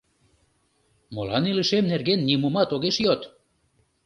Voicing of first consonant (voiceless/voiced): voiced